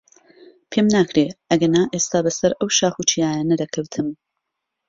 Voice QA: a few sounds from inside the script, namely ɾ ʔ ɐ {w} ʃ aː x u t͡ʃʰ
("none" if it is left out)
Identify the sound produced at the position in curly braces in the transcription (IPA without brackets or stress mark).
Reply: w